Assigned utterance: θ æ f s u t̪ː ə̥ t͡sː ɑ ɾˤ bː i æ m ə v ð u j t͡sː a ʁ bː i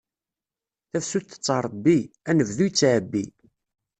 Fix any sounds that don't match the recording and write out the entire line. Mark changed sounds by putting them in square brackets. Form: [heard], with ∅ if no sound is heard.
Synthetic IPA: θ æ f s u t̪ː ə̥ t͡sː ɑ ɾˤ bː i æ [n] ə v ð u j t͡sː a [ʕ] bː i